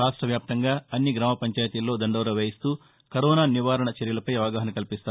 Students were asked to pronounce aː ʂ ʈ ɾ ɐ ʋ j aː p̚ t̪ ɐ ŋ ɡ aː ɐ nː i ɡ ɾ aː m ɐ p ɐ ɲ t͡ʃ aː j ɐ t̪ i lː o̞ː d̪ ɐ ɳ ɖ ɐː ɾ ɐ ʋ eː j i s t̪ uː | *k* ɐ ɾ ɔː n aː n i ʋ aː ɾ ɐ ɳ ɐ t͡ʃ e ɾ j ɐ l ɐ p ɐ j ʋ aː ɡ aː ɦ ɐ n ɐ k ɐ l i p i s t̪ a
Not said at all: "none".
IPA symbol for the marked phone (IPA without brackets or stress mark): k